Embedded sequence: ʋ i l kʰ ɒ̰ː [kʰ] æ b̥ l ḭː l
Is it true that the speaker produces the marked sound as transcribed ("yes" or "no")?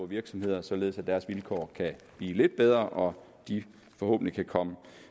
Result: yes